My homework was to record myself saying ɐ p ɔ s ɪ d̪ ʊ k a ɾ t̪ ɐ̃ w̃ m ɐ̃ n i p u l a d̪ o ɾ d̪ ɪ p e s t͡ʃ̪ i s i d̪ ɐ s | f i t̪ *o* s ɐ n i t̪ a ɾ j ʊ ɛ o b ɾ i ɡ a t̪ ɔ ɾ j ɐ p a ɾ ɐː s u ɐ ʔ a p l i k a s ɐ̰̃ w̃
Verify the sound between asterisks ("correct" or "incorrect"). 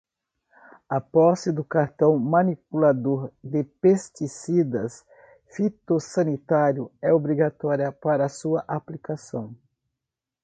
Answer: correct